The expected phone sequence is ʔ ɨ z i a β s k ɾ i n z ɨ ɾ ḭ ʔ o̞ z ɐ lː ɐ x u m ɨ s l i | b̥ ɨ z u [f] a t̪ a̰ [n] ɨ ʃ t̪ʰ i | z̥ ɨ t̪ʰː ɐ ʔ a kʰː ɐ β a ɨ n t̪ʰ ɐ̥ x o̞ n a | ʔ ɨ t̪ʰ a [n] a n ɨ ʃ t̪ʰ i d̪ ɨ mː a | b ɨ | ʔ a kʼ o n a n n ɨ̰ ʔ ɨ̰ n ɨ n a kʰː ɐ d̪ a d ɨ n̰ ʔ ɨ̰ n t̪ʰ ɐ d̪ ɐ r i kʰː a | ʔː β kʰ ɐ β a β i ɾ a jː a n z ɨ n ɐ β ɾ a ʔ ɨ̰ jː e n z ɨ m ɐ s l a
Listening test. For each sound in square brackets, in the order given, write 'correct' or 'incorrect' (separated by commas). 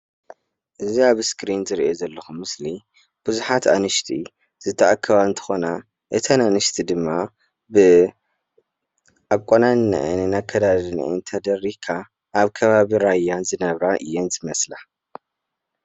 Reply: incorrect, correct, correct